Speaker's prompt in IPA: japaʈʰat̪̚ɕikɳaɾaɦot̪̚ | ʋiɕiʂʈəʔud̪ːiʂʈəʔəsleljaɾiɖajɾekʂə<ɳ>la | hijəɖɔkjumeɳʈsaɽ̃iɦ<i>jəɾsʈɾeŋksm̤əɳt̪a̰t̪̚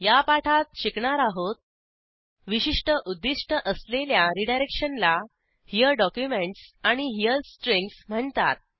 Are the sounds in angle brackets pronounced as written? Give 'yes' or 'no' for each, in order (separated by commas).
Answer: no, yes